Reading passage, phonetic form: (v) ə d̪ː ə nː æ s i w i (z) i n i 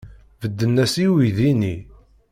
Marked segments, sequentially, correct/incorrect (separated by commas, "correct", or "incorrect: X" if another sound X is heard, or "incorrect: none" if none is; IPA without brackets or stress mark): correct, incorrect: ð